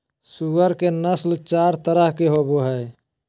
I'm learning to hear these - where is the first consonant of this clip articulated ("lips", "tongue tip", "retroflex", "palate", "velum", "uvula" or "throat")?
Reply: tongue tip